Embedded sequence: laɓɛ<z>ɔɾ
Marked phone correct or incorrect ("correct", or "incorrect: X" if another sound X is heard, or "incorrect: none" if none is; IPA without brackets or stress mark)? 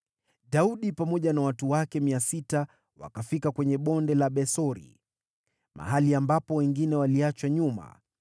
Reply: incorrect: s